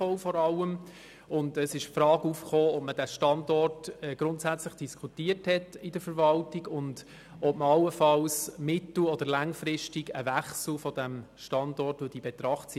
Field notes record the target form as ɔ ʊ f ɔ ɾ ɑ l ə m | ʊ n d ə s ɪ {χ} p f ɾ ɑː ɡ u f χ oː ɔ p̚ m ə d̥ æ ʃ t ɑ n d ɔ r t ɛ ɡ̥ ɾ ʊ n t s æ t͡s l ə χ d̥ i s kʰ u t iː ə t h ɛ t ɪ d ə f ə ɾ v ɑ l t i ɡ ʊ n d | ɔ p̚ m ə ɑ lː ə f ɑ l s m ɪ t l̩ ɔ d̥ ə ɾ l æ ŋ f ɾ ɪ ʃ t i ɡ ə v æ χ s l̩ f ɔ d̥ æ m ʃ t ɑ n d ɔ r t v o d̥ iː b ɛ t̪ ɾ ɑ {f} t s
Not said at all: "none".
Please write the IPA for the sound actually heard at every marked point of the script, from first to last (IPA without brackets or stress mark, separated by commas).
ʃ, χ